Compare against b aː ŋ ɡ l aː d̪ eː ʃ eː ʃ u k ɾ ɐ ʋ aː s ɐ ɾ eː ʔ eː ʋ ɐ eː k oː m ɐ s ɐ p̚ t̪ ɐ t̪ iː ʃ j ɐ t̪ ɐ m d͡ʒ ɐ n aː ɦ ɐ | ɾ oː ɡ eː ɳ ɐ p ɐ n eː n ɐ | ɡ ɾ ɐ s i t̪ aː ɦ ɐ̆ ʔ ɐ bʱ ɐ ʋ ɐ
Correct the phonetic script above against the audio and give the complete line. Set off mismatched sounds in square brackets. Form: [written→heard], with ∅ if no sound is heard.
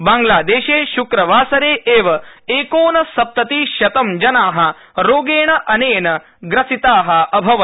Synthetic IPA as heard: b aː ŋ ɡ l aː d̪ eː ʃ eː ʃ u k ɾ ɐ ʋ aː s ɐ ɾ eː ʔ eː ʋ ɐ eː k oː [m→n] ɐ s ɐ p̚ t̪ ɐ t̪ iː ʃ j ɐ t̪ ɐ m d͡ʒ ɐ n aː ɦ ɐ | ɾ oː ɡ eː ɳ ɐ [p→ʔ] ɐ n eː n ɐ | ɡ ɾ ɐ s i t̪ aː ɦ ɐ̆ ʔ ɐ bʱ ɐ ʋ ɐ